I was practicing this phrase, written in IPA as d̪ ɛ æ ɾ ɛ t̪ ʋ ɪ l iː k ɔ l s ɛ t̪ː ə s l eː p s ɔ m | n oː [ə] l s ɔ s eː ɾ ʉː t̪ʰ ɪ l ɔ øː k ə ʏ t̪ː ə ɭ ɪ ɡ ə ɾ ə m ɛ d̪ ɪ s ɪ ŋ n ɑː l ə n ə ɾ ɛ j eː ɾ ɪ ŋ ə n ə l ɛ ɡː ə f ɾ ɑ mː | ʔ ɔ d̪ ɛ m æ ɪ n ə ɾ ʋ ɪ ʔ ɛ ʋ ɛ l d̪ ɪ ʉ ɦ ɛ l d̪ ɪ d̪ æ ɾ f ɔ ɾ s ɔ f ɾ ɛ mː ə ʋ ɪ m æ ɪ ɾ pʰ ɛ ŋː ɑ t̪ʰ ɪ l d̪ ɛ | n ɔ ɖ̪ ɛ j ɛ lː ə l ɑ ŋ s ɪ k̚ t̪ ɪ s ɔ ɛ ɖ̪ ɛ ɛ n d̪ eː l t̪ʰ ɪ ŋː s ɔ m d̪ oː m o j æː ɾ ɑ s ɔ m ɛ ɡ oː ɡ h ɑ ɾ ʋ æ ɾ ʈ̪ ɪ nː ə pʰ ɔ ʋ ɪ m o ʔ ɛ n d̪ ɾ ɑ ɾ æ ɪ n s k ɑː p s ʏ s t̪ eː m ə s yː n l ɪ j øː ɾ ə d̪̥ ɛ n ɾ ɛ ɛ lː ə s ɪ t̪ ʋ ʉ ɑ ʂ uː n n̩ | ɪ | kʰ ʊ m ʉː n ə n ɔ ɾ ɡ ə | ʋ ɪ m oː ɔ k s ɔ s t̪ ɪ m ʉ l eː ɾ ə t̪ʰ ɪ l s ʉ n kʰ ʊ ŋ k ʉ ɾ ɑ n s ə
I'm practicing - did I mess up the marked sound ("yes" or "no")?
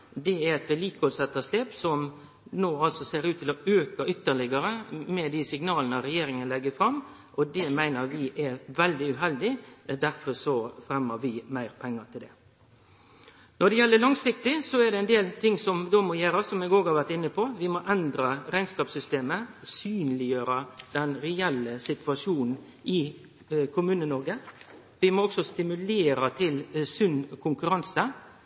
yes